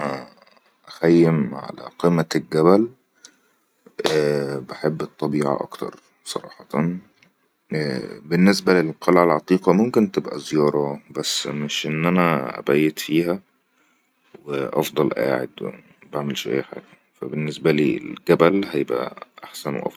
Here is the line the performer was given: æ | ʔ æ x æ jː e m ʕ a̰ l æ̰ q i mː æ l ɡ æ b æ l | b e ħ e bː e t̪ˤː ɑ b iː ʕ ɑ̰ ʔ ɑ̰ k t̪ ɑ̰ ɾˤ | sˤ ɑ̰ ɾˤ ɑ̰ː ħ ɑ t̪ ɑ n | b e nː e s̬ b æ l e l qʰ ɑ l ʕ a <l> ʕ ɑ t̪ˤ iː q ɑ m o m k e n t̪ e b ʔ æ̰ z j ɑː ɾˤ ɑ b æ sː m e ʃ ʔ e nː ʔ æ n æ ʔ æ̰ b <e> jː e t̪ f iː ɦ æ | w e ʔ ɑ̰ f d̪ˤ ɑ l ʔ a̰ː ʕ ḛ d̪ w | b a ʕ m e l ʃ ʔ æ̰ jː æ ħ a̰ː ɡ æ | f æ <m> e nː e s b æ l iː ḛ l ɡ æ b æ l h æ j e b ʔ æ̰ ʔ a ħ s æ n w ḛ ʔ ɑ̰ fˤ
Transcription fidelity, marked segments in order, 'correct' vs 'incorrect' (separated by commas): correct, incorrect, incorrect